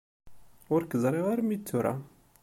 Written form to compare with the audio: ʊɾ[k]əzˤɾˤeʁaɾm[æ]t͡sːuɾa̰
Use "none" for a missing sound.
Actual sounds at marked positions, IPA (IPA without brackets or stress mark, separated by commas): k, i